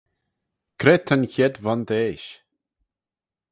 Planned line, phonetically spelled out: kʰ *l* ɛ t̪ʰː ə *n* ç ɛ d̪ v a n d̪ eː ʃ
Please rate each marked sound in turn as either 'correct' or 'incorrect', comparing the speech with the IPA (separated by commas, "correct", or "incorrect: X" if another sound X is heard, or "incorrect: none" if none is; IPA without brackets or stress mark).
incorrect: ɾ, correct